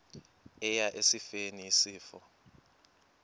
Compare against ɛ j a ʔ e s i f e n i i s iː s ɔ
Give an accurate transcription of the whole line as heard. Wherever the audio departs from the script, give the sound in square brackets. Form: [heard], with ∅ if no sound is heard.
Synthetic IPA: ɛ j a ʔ e s i f e n i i s iː [f] ɔ